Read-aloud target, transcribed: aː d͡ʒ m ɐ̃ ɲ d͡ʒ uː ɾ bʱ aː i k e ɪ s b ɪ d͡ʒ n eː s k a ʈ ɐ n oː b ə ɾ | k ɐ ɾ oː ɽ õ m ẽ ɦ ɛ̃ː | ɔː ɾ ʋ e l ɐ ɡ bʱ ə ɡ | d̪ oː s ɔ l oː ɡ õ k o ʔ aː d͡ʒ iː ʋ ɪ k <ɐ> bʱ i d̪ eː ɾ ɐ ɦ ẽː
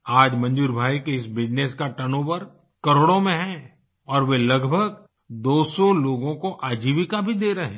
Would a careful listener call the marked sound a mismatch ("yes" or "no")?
yes